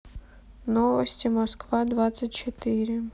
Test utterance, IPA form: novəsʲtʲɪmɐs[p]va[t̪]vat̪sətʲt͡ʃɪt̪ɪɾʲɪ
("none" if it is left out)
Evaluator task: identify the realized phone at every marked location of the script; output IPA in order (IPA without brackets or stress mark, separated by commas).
k, d̪